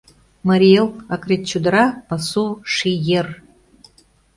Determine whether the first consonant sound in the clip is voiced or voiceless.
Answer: voiced